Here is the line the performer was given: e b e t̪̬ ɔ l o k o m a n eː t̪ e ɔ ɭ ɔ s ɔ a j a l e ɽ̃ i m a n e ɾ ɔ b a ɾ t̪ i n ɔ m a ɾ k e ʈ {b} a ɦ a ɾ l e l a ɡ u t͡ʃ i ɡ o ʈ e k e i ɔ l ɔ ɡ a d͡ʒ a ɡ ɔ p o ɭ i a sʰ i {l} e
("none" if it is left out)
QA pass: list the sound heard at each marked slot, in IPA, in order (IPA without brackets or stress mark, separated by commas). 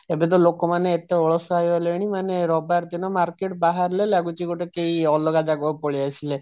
b, l